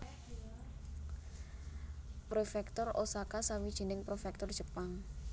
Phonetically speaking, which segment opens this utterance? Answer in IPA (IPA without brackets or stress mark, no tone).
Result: p